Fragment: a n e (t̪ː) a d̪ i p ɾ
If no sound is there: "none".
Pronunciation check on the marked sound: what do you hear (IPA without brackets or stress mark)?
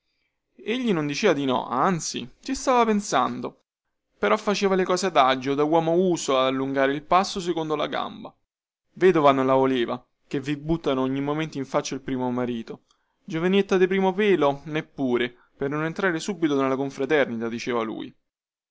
t̪ː